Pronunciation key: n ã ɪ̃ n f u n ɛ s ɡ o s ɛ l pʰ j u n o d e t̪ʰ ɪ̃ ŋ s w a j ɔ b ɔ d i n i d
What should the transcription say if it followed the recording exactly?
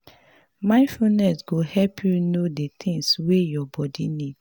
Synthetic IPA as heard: m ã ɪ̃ n f u n ɛ s ɡ o h ɛ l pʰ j u n o d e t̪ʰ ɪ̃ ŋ s w e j ɔ b ɔ d i n i d